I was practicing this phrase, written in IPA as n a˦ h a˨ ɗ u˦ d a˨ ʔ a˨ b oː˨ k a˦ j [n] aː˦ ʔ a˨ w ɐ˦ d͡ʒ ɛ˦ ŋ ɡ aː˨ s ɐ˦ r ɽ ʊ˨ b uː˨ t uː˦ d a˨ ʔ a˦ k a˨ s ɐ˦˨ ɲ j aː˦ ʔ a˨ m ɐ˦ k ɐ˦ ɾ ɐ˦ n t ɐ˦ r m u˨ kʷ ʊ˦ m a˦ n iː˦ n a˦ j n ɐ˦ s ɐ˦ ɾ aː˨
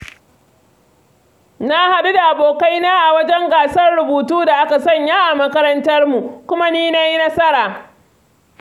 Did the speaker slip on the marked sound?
no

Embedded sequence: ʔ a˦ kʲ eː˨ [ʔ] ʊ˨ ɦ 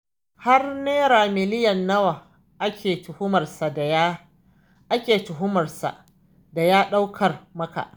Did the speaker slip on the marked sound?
yes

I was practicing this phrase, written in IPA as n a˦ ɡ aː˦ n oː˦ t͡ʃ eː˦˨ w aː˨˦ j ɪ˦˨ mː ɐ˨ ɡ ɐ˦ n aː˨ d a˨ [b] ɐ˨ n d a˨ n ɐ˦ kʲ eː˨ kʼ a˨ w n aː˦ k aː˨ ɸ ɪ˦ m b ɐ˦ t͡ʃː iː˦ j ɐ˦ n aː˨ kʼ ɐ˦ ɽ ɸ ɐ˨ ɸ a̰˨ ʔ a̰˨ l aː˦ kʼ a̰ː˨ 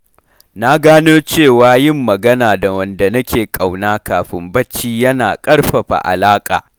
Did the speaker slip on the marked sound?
yes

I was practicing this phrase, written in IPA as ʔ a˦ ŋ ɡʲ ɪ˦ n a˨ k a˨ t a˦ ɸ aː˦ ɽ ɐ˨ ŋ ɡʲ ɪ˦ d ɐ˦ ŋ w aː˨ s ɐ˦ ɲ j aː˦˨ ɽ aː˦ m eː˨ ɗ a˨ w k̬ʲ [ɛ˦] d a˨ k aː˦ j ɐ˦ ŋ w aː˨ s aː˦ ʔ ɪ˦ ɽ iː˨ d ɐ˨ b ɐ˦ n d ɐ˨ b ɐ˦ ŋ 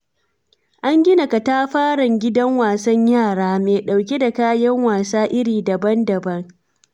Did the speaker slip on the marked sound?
yes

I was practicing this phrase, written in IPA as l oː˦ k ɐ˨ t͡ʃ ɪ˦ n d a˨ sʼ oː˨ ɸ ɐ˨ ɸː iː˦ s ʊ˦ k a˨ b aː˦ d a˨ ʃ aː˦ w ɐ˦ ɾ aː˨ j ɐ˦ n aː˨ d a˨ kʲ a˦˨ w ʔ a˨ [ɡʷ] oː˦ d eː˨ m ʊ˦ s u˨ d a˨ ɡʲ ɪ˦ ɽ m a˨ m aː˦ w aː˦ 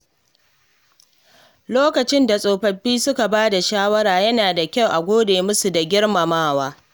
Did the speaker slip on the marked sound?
no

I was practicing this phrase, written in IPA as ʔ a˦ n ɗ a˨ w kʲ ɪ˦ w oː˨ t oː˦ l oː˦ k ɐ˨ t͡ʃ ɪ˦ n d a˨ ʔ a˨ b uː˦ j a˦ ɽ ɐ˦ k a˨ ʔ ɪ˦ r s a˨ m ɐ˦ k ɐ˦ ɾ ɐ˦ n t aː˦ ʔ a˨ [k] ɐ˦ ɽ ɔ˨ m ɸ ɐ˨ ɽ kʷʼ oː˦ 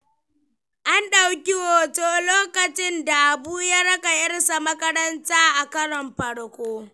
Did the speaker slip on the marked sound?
no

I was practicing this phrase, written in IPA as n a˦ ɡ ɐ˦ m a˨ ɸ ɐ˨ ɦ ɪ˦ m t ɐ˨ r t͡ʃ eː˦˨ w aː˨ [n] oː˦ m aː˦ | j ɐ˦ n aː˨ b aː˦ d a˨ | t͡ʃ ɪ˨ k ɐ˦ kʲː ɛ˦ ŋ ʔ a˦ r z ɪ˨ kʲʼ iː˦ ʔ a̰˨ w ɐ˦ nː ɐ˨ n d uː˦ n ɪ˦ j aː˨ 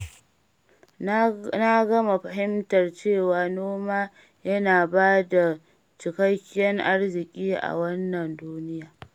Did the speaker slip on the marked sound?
no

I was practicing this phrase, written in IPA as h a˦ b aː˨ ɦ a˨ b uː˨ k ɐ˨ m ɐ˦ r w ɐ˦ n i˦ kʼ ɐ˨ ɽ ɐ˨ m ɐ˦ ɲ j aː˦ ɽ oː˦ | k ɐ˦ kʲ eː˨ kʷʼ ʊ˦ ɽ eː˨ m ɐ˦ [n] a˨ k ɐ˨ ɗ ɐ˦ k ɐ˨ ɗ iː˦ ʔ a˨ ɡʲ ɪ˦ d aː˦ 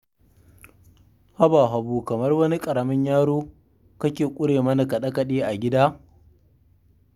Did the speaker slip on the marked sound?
no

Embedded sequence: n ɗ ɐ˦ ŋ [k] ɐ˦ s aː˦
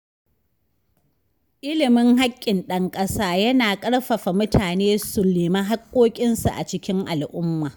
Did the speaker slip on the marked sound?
yes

